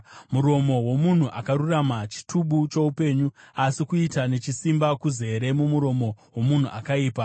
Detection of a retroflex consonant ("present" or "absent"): absent